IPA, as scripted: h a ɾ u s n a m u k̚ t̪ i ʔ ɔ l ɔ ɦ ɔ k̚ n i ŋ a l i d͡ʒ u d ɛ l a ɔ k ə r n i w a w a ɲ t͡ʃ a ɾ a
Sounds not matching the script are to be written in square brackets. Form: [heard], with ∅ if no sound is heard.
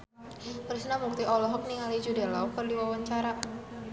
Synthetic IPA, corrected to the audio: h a ɾ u s n a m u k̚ t̪ i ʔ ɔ l ɔ ɦ ɔ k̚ n i ŋ a l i d͡ʒ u d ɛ l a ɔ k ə r [d] i w a w a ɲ t͡ʃ a ɾ a